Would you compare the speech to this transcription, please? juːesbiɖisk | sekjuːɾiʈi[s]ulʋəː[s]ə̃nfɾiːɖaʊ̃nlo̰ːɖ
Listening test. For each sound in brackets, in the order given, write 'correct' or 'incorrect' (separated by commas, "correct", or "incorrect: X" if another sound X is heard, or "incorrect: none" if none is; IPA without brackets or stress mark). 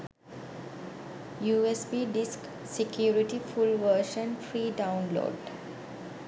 incorrect: f, incorrect: ʃ